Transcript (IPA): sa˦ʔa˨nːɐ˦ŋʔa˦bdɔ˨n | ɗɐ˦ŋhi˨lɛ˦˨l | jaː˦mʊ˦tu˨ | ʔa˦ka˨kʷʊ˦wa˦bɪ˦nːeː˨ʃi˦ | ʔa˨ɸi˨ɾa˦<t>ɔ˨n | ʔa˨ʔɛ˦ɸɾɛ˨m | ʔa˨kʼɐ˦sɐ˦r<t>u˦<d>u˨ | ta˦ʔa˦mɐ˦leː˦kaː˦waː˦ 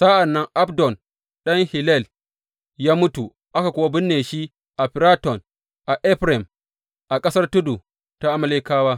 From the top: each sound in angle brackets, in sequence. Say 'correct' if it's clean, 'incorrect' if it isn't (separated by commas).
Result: correct, correct, correct